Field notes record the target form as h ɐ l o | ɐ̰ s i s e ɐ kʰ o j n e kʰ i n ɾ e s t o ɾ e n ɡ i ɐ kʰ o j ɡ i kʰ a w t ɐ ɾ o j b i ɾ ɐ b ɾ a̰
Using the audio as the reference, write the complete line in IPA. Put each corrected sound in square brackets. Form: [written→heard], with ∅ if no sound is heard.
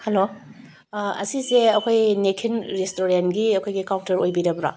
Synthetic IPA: h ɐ l o | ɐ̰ s i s e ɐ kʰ o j n e kʰ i n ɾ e s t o ɾ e n ɡ i ɐ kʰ o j ɡ i [kʰ→k] a w t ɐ ɾ o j b i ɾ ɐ b ɾ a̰